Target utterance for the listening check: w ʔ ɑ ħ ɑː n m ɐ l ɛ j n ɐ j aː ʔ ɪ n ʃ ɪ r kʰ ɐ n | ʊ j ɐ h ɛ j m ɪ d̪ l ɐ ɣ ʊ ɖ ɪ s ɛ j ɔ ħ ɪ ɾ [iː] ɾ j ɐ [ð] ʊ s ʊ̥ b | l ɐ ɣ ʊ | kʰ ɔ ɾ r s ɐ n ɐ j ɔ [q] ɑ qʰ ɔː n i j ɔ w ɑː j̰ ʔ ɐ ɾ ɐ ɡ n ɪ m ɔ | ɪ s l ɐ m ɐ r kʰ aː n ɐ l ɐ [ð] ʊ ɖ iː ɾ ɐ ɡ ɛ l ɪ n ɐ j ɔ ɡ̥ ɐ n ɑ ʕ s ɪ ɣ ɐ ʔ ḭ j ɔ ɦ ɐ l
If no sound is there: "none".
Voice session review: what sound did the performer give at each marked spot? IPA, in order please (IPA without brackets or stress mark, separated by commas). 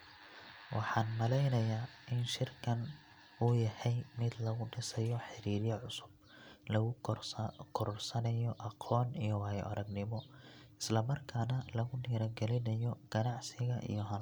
iː, ʕ, ʔ, ɣ